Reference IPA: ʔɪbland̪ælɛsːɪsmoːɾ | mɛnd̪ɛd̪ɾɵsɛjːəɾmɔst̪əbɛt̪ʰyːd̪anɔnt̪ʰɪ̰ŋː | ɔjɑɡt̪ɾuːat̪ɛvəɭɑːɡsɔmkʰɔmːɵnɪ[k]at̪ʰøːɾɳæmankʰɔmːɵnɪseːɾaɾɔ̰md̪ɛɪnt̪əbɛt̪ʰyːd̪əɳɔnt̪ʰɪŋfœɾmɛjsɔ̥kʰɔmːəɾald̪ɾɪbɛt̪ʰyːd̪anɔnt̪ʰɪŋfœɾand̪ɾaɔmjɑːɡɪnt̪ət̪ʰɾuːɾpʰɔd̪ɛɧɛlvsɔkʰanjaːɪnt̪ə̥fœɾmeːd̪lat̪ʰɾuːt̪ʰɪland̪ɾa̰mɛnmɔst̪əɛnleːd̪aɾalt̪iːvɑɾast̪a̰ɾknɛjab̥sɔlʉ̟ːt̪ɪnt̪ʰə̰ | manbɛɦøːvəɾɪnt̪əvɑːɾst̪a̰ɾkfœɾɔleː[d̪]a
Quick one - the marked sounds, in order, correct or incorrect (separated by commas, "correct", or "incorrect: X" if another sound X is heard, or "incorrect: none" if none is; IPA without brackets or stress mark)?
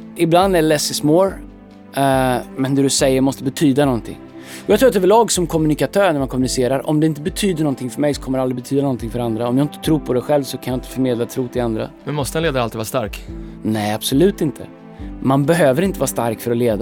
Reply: correct, correct